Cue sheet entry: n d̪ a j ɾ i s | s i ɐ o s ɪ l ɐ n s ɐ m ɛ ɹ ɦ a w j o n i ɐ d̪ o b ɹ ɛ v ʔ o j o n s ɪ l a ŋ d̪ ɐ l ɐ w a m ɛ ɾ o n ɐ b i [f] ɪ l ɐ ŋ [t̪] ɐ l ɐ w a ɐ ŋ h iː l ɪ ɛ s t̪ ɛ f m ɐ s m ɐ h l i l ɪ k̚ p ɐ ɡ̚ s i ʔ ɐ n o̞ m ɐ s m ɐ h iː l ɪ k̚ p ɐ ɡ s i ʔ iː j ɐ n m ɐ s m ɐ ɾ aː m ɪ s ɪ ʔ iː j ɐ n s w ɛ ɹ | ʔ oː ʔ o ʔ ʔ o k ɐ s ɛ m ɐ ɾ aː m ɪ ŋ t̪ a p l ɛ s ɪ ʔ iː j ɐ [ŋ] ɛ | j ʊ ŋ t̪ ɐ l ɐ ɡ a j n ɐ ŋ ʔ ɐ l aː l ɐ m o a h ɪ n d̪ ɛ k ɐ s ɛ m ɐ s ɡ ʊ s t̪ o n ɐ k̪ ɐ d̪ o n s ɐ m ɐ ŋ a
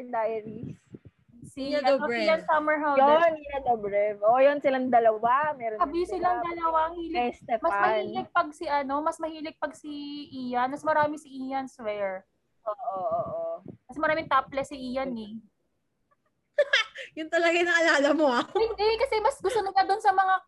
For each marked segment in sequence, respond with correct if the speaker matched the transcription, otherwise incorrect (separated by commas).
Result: incorrect, incorrect, incorrect